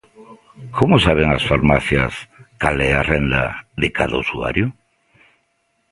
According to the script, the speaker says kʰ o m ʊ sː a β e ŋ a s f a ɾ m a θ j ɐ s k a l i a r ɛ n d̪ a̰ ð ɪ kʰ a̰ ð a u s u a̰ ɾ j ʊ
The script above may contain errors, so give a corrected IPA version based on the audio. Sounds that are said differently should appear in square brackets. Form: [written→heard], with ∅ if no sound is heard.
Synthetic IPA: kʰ o m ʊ [sː→s] a β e ŋ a s f a ɾ m a θ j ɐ s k a l [i→ɛ] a r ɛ n d̪ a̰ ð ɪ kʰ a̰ ð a u s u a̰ ɾ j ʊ